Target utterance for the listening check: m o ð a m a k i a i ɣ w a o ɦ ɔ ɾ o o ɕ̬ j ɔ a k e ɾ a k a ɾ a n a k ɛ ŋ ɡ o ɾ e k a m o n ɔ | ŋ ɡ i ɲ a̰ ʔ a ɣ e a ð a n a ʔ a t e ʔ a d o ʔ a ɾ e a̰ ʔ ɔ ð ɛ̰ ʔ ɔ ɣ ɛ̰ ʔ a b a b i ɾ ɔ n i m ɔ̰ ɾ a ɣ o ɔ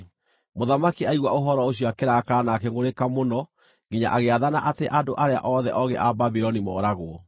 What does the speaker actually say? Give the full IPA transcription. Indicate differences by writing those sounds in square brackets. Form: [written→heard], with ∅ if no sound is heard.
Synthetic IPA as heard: m o ð a m a k i a i ɣ w a o ɦ ɔ ɾ [o→ɔ] o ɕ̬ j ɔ a k e ɾ a k a ɾ a n a k ɛ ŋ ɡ o ɾ e k a m o n ɔ | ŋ ɡ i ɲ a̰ ʔ a ɣ e a ð a n a ʔ a t e ʔ a d o ʔ a ɾ e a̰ ʔ ɔ ð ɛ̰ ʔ ɔ ɣ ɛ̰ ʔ a b a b i ɾ ɔ n i m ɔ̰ ɾ a ɣ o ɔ

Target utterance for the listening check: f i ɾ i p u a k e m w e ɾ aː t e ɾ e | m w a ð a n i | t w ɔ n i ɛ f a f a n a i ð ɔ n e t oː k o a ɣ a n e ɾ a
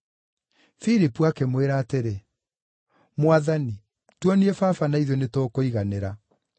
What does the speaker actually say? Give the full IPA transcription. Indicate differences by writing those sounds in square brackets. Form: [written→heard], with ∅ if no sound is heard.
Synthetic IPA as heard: f i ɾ i p u a k e m w e ɾ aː t e ɾ e | m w a ð a n i | t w ɔ n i ɛ f a f a n a i ð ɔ n e t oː k o [a→i] ɣ a n e ɾ a

